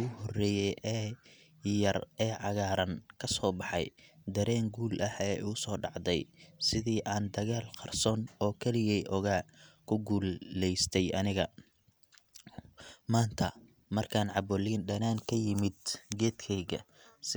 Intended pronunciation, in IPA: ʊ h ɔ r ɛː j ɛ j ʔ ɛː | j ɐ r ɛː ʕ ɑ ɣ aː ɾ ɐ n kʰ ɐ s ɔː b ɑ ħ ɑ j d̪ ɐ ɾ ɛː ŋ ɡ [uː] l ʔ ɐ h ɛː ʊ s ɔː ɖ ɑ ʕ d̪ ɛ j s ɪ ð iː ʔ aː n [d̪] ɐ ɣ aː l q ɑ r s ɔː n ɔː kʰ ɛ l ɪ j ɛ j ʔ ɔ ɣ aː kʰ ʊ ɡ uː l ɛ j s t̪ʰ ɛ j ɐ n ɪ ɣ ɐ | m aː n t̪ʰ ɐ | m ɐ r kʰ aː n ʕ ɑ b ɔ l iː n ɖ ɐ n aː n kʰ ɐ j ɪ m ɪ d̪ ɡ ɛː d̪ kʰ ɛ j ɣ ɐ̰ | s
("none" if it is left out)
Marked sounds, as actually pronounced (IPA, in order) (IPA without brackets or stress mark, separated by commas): uː, d̪